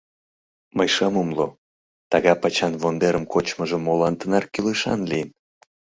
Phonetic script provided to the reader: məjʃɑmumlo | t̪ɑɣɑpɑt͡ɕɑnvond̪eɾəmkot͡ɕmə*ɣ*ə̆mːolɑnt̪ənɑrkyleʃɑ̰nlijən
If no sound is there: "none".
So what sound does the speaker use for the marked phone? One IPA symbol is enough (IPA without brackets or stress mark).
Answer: ʒ